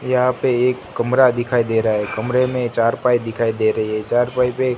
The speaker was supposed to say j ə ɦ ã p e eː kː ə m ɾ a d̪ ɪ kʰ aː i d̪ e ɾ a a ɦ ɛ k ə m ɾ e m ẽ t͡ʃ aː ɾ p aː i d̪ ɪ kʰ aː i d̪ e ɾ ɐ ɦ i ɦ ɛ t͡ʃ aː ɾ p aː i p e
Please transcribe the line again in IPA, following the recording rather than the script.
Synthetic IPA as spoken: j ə ɦ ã p e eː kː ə m ɾ a d̪ ɪ kʰ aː i d̪ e ɾ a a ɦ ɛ k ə m ɾ e m ẽ t͡ʃ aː ɾ p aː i d̪ ɪ kʰ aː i d̪ e ɾ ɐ ɦ i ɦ ɛ t͡ʃ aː ɾ p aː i p e

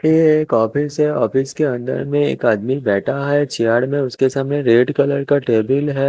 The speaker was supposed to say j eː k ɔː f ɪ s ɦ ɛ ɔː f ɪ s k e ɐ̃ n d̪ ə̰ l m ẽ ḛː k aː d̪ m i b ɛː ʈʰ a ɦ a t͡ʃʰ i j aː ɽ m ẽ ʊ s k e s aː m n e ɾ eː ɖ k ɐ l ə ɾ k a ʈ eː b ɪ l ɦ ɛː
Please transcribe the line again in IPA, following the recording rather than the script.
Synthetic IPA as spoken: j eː k ɔː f ɪ s ɦ ɛ ɔː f ɪ s k e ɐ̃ n d̪ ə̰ ɾ m ẽ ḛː k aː d̪ m i b ɛː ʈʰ a ɦ ɛ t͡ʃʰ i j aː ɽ m ẽ ʊ s k e s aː m n e ɾ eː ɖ k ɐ l ə ɾ k a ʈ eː b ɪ l ɦ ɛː

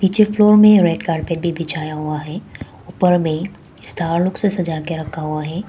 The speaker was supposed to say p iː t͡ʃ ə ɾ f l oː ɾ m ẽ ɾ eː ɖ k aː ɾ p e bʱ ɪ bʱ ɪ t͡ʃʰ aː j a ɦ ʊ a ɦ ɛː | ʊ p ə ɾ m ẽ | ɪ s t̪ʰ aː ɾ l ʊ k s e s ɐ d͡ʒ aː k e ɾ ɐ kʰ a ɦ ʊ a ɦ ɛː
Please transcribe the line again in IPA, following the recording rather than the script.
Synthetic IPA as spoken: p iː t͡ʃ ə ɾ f l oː ɾ m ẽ ɾ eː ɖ k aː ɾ p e bʱ i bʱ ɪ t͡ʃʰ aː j a ɦ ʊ a ɦ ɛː | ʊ p ə ɾ m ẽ | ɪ s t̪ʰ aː ɾ l ʊ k s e s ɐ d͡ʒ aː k e ɾ ɐ kʰ a ɦ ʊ a ɦ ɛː

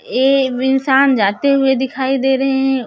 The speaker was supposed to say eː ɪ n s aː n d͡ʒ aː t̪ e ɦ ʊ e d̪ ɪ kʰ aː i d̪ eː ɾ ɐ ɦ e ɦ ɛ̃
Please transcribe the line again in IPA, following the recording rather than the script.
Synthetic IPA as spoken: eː ɪ n s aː n d͡ʒ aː t̪ e ɦ ʊ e d̪ ɪ kʰ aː i d̪ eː ɾ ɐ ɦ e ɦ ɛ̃

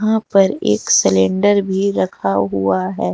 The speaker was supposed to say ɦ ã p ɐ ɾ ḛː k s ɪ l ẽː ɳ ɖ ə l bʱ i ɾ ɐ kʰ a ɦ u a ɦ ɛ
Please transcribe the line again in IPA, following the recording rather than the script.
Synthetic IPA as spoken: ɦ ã p ɐ ɾ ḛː k s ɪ l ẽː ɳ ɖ ə ɾ bʱ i ɾ ɐ kʰ a ɦ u a ɦ ɛː

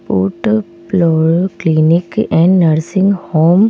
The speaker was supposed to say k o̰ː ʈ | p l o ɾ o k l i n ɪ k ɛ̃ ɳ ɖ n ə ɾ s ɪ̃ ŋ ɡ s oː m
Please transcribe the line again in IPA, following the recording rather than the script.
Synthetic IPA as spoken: p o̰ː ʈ | p l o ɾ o k l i n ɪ k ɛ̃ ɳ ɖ n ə ɾ s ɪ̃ ŋ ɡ h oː m

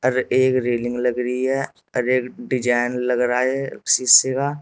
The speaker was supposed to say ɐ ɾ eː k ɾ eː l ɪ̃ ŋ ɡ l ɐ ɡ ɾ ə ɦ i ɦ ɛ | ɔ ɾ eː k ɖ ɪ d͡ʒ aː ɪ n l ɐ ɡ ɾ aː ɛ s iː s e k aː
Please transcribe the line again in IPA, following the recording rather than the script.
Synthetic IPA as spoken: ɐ ɾ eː k ɾ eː l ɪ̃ ŋ ɡ l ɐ ɡ ɾ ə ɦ i ɦ ɛ | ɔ ɾ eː k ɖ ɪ d͡ʒ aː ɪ n l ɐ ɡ ɾ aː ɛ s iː s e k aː

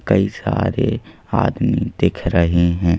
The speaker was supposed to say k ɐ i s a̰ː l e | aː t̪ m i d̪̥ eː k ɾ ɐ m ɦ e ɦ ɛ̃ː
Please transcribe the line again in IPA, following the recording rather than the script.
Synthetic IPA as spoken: k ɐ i s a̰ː ɾ e | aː d̪ m i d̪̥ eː kʰ ɾ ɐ ɦ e ɦ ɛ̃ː

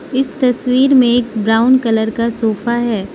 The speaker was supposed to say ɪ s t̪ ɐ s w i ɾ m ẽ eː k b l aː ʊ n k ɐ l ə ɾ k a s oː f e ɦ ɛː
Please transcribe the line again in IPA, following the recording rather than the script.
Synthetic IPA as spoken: ɪ s t̪ ɐ s w iː ɾ m ẽ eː k b ɾ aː ʊ n k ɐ l ə ɾ k a s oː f a ɦ ɛː

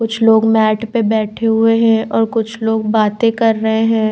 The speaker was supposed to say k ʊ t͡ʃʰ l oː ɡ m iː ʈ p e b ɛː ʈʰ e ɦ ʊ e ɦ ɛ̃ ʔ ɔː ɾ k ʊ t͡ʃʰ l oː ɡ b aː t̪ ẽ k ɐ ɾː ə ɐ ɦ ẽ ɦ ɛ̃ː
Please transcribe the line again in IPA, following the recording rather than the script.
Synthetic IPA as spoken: k ʊ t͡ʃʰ l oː ɡ m ɛː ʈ p e b ɛː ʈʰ e ɦ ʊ e ɦ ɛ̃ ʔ ɔː ɾ k ʊ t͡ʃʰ l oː ɡ b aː t̪ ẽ k ɐ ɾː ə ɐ ɦ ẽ ɦ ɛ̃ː

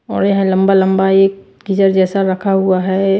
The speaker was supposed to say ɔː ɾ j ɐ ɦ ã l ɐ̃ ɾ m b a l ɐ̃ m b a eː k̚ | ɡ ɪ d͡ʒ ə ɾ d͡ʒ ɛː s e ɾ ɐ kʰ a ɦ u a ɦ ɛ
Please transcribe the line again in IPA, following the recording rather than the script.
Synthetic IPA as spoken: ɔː ɾ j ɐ ɦ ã l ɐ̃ m b a l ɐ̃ m b a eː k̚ | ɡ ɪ d͡ʒ ə ɾ d͡ʒ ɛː s a ɾ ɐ kʰ a ɦ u a ɦ ɛ

